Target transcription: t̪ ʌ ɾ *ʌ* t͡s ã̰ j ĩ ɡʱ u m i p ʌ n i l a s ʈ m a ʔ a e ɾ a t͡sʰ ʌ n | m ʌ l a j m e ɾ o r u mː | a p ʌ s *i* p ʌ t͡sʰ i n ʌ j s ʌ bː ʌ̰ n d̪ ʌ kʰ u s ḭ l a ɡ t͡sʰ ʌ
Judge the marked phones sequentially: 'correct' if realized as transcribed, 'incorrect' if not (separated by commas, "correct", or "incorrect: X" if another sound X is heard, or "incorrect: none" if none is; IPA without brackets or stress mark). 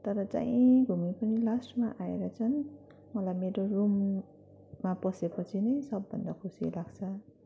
correct, incorrect: e